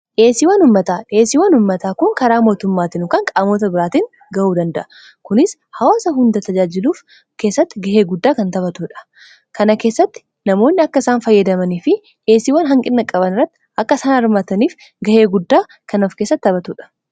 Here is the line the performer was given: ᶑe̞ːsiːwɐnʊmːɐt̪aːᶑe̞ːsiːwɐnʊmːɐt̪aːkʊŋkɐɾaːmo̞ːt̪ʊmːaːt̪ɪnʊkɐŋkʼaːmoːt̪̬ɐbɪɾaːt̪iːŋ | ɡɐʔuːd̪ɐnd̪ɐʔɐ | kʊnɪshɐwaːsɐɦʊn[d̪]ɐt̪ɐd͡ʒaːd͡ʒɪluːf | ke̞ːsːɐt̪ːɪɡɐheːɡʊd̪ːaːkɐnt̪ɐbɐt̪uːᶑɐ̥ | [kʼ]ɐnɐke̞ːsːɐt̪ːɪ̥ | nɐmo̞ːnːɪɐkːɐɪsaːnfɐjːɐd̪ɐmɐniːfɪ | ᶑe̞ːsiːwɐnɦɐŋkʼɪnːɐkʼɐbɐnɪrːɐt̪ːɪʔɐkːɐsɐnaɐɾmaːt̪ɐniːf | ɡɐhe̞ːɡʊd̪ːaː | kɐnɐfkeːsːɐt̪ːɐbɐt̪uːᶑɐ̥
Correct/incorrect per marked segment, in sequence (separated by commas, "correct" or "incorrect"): correct, incorrect